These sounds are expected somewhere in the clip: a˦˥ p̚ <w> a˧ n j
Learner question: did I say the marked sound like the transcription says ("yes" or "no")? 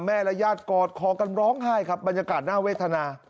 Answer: no